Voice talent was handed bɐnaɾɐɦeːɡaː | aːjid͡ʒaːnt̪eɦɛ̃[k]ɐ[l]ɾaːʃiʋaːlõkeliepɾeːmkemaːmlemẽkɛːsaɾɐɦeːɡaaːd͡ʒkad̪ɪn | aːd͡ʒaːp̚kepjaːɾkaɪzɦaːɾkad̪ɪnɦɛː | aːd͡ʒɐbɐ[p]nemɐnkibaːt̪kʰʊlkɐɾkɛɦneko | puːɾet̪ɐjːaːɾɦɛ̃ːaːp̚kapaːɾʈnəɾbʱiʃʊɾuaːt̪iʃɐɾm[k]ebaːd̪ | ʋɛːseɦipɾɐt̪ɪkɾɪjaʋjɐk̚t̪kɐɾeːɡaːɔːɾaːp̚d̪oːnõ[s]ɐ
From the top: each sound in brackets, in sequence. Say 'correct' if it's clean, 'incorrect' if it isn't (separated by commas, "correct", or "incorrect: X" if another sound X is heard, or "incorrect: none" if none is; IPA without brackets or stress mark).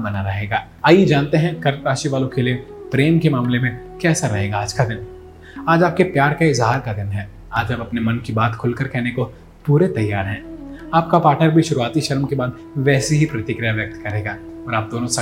correct, incorrect: ɾ, correct, correct, correct